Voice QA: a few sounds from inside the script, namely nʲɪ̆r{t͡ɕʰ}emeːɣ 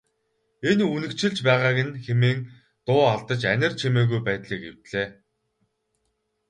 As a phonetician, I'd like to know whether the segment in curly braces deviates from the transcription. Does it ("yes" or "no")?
no